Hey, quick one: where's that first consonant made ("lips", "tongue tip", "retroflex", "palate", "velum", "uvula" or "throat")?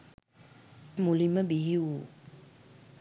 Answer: lips